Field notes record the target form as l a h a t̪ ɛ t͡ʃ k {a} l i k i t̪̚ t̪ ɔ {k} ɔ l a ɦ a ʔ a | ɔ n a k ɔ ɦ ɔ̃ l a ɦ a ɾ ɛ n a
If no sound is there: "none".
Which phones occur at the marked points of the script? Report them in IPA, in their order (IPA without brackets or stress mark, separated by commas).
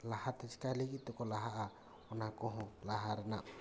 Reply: a, k